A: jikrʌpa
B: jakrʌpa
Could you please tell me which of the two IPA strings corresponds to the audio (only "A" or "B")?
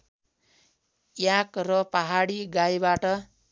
B